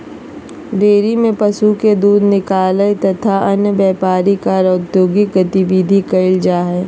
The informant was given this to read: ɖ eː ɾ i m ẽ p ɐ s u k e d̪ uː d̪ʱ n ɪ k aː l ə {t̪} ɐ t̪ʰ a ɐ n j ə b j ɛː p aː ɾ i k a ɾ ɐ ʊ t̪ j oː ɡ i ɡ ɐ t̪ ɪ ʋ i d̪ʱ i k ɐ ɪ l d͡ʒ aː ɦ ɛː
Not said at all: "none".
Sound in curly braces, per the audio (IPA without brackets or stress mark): t̪